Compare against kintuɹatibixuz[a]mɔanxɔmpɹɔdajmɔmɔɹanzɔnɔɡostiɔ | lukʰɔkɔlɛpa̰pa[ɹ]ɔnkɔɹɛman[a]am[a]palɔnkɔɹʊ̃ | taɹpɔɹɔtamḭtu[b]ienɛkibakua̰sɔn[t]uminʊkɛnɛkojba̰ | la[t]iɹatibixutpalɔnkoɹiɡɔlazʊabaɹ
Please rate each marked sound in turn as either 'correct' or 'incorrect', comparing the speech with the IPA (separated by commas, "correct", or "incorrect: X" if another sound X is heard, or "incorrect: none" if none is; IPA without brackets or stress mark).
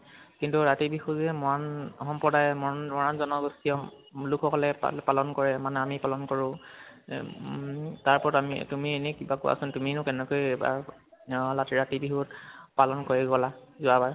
incorrect: ɛ, incorrect: l, incorrect: ɛ, incorrect: i, incorrect: m, correct, correct